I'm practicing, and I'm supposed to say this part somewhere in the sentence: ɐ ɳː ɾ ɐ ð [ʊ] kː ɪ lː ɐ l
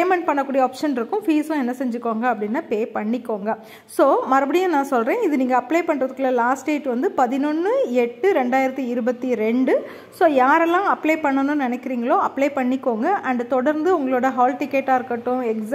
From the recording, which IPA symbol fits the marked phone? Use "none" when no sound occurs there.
ɯ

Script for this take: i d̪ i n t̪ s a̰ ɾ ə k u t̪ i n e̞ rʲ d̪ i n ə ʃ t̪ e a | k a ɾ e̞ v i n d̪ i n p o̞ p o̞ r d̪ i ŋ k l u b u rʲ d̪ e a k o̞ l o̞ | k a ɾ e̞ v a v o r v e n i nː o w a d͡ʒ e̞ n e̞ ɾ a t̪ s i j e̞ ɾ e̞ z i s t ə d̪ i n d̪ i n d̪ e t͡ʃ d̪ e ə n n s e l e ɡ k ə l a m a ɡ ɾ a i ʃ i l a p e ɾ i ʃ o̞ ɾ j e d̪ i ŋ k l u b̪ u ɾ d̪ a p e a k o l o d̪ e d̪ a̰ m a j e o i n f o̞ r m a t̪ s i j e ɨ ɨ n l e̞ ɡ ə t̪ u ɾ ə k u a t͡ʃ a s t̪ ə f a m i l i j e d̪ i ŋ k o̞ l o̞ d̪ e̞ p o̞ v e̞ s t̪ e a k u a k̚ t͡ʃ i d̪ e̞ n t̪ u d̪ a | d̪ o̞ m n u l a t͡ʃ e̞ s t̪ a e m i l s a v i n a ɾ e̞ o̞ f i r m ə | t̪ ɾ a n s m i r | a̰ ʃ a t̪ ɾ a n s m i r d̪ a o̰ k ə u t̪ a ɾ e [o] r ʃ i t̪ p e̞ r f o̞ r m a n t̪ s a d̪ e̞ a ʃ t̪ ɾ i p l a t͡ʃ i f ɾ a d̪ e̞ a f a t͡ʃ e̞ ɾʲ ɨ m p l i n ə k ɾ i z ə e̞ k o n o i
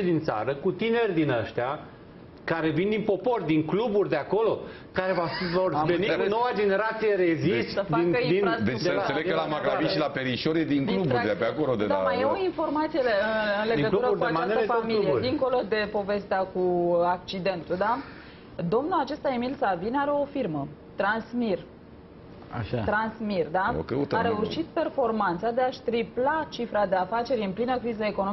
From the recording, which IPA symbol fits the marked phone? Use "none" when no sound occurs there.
u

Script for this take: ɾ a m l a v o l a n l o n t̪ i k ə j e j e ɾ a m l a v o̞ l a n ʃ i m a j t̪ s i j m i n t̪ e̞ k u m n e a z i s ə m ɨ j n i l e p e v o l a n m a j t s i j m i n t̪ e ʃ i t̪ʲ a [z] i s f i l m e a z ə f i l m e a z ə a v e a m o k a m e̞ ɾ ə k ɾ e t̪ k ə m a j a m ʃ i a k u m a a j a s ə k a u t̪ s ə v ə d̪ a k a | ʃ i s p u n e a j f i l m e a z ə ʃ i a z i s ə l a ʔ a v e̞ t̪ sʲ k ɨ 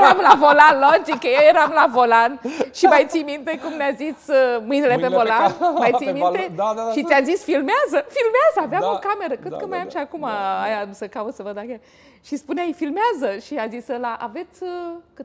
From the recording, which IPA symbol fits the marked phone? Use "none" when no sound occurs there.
z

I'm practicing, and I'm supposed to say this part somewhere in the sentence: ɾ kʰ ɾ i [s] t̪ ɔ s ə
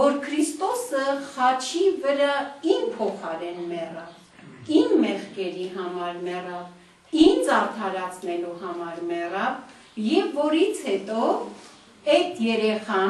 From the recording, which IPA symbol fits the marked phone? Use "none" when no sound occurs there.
s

